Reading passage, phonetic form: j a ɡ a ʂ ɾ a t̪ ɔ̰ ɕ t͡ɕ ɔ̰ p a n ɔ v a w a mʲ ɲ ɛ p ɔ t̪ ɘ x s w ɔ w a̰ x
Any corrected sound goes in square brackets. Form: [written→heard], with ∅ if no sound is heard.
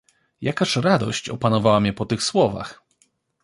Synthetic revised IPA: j a [ɡ→k] a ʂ ɾ a [t̪→d̪] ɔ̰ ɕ t͡ɕ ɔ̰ p a n ɔ v a w a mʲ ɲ ɛ p ɔ t̪ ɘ x s w ɔ [w→v] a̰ x